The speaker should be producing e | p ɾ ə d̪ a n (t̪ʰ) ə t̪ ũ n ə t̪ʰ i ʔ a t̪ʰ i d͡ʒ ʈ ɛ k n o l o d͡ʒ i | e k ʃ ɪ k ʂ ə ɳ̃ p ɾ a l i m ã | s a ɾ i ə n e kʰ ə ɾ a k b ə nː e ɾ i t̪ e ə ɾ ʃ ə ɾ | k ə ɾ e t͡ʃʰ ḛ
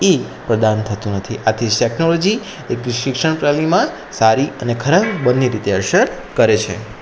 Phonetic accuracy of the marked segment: correct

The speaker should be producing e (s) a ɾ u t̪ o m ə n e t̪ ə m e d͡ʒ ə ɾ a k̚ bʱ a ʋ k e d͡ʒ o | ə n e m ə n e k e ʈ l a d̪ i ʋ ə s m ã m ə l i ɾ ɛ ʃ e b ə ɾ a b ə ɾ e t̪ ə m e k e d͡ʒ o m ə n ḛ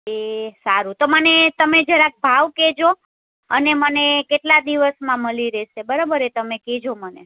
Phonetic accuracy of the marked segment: correct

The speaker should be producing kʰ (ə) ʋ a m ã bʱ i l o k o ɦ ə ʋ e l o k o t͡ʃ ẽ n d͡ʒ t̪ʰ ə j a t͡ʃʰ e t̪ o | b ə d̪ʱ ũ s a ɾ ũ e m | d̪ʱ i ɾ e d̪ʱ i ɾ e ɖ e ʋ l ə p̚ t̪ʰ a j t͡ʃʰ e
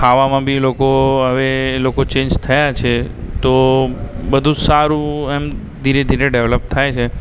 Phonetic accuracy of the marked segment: incorrect: a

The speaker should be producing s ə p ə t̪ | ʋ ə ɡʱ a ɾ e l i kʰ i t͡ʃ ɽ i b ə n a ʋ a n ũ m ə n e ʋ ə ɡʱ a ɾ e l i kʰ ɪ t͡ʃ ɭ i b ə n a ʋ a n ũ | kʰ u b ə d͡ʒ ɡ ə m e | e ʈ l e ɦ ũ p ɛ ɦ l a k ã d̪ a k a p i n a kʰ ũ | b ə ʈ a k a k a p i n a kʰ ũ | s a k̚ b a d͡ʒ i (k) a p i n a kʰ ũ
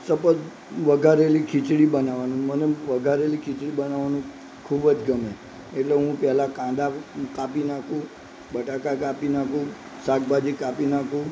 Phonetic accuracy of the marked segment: correct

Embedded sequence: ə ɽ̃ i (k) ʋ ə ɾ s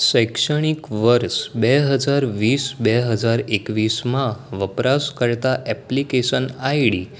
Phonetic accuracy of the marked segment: correct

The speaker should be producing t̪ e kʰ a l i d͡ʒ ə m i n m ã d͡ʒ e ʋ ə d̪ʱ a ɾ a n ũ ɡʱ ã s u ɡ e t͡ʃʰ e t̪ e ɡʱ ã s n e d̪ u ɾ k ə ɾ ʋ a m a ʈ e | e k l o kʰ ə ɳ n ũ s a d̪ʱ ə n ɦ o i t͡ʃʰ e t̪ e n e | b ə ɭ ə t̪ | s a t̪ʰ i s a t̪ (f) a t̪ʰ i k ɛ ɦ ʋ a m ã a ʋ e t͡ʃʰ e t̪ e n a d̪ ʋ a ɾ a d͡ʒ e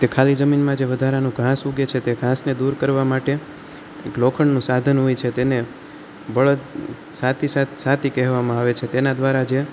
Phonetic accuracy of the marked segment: incorrect: s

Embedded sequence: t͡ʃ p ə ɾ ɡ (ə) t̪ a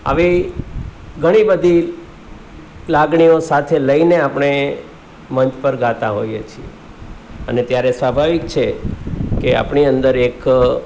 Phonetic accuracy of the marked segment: incorrect: a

